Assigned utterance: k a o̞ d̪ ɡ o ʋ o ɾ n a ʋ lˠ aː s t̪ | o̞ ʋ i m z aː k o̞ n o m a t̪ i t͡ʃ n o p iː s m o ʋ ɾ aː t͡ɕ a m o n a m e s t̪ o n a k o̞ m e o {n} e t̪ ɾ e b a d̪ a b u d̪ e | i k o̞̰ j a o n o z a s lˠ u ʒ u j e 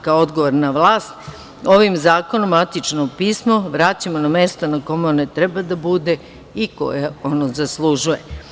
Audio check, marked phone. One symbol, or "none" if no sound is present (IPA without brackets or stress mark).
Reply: n